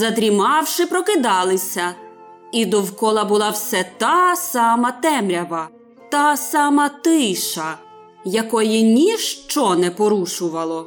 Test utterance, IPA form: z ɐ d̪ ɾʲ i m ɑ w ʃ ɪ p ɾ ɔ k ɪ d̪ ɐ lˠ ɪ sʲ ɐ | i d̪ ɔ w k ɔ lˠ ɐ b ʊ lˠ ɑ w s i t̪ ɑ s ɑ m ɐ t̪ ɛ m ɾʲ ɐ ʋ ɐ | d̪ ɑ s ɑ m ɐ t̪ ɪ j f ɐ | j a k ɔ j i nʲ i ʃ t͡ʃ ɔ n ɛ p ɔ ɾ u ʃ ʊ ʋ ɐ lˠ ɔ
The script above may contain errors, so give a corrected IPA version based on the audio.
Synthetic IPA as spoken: z ɐ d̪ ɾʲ i m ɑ w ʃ ɪ p ɾ ɔ k ɪ d̪ ɑ lˠ ɪ sʲ ɐ | i d̪ ɔ w k ɔ lˠ ɐ b ʊ lˠ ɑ w s ɛ t̪ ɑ s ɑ m ɐ t̪ ɛ m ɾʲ ɐ ʋ ɐ | t̪ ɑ s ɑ m ɐ t̪ ɪ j ʃ ɐ | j ɐ k ɔ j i nʲ i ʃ t͡ʃ ɔ n ɛ p ɔ ɾ u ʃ ʊ ʋ ɐ lˠ ɔ